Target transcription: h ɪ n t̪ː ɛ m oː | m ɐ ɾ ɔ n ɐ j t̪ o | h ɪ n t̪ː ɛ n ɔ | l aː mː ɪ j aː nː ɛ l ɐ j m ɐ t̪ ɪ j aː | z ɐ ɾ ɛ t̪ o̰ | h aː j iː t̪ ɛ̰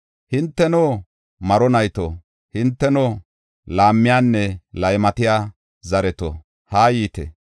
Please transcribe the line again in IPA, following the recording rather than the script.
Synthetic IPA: h ɪ n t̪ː ɛ n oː | m ɐ ɾ ɔ n ɐ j t̪ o | h ɪ n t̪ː ɛ n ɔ | l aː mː ɪ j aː nː ɛ l ɐ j m ɐ t̪ ɪ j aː | z ɐ ɾ ɛ t̪ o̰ | h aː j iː t̪ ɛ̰